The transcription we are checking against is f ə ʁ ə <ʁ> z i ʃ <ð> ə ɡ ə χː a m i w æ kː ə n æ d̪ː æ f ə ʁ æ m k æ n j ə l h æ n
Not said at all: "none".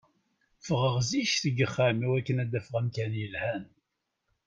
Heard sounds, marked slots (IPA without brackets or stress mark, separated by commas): ʁ, θ